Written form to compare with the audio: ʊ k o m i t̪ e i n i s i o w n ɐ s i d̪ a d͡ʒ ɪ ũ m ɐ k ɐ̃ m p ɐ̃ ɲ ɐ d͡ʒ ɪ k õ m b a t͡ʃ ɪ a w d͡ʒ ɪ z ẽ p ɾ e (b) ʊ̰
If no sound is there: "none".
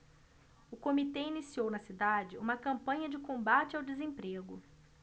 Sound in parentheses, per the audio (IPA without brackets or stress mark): ɡ